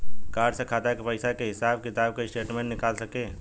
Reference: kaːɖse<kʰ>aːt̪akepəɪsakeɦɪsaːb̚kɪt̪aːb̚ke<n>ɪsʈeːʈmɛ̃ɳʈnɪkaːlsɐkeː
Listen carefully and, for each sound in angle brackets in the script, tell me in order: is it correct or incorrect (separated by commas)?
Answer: correct, incorrect